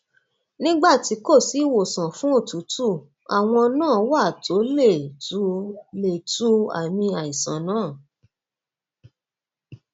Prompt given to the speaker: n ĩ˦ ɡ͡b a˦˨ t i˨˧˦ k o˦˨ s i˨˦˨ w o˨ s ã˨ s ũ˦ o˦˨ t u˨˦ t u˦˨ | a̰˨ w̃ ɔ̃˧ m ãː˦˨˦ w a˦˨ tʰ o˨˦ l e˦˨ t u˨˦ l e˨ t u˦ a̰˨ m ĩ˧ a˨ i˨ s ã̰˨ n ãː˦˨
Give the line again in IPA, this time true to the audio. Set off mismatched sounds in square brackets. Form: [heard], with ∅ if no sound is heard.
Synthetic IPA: n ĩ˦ ɡ͡b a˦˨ t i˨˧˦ k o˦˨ s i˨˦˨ w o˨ s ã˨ [f] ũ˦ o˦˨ t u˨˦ t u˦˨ | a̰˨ w̃ ɔ̃˧ [n] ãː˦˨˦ w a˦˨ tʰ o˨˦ l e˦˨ t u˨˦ l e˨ t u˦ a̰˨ m ĩ˧ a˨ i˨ s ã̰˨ n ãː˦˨